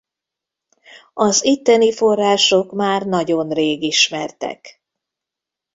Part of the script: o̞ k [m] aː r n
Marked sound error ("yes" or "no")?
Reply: no